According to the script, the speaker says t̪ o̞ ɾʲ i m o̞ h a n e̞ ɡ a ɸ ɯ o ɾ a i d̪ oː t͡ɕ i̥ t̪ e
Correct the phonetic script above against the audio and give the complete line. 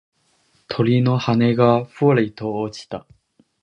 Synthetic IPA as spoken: t̪ʰ o̞ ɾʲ i n o̞ h a n e̞ ɡ a ɸ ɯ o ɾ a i t̪ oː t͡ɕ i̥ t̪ a